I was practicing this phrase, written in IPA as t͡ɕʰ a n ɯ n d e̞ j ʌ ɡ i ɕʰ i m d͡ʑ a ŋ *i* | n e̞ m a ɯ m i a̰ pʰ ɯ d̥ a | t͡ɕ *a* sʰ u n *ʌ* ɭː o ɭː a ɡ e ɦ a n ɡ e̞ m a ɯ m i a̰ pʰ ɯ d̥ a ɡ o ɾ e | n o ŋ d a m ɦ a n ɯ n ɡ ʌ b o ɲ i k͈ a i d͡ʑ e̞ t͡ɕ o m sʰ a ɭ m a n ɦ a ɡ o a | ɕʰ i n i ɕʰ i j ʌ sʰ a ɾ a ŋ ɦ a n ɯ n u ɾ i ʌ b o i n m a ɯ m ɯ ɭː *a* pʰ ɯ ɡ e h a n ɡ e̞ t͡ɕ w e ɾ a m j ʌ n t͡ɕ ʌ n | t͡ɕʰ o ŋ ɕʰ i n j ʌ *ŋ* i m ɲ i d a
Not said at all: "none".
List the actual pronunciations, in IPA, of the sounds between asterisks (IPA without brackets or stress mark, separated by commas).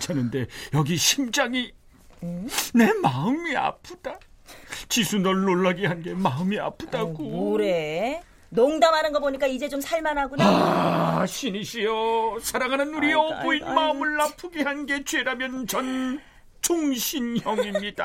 i, i, ʌ, a, ŋ